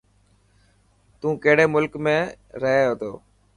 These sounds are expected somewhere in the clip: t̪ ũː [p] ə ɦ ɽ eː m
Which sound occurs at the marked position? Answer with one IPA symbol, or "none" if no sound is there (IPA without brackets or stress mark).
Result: k